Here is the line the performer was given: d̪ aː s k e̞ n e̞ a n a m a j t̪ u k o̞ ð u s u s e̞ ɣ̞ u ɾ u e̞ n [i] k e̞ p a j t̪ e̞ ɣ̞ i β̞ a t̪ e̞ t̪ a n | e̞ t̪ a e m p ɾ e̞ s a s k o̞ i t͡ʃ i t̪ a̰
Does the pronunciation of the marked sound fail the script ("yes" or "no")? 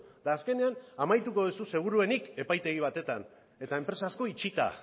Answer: no